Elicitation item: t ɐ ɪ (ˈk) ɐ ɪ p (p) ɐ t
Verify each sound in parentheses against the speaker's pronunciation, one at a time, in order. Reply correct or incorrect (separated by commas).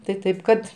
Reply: incorrect, incorrect